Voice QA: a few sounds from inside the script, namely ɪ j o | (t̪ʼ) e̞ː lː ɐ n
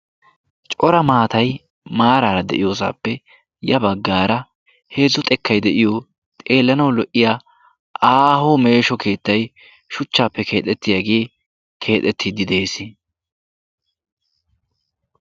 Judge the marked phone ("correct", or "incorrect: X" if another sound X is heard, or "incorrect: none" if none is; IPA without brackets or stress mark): correct